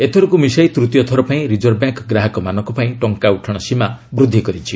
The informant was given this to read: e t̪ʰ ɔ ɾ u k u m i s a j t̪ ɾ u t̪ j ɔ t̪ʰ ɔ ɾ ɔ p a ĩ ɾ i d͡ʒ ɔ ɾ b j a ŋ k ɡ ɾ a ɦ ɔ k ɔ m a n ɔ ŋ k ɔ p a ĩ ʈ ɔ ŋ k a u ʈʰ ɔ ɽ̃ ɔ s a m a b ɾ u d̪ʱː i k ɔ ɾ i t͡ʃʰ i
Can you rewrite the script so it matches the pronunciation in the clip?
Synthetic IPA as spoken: e t̪ʰ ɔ ɾ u k u m i s a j t̪ ɾ u t̪ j ɔ t̪ʰ ɔ ɾ ɔ p a ĩ ɾ i d͡ʒ ɔ ɾ b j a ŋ k ɡ ɾ a ɦ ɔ k ɔ m a n ɔ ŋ k ɔ p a ĩ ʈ ɔ ŋ k a u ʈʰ ɔ ɽ̃ ɔ s i m a b ɾ u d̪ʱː i k ɔ ɾ i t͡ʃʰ i